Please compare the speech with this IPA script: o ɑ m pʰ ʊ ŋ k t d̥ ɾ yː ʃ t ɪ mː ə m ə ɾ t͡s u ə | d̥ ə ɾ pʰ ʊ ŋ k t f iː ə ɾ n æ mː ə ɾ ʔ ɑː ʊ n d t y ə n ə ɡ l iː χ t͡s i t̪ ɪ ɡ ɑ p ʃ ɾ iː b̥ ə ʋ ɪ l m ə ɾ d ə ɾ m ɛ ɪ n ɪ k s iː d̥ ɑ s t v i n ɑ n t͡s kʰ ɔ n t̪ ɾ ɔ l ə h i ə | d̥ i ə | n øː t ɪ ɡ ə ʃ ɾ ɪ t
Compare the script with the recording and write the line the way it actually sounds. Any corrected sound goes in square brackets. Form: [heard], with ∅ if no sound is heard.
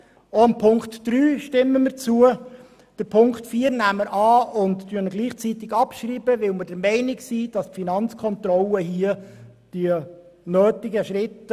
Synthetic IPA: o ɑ m pʰ ʊ ŋ k t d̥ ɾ yː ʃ t ɪ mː ə m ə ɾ t͡s u ə | d̥ ə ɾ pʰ ʊ ŋ k t f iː ə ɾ n æ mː ə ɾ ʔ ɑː ʊ n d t y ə n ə ɡ l iː χ t͡s i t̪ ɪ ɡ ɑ p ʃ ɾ iː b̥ ə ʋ ɪ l m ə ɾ d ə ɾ m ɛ ɪ n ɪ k s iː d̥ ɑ s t [f] i n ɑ n t͡s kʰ ɔ n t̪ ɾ ɔ l ə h i ə | d̥ i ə | n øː t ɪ ɡ ə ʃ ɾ ɪ t